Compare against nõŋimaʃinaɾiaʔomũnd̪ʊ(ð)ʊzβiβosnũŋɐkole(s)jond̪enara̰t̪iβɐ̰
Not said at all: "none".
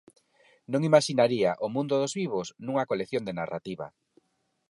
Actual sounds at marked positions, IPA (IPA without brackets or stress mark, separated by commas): ð, θ